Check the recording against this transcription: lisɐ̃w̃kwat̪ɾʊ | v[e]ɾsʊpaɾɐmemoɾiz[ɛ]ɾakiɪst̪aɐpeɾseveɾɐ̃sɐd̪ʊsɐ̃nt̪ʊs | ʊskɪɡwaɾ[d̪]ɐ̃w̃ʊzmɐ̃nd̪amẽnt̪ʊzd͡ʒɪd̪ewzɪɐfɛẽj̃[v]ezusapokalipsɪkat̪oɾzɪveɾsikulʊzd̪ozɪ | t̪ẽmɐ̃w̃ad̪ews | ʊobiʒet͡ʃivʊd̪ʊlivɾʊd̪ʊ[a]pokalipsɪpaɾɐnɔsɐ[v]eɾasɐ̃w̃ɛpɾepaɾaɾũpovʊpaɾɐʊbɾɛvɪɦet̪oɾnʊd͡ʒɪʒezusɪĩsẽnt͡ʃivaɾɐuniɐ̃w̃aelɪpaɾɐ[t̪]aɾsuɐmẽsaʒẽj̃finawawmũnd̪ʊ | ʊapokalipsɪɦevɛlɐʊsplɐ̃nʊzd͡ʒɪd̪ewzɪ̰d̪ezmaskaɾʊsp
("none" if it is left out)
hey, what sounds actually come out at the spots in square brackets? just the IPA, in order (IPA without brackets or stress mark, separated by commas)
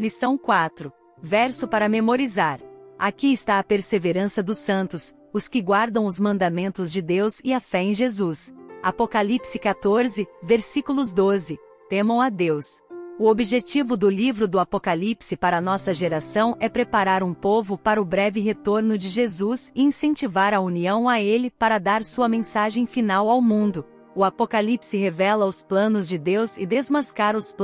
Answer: ɛ, a, d̪, ʒ, a, ʒ, d̪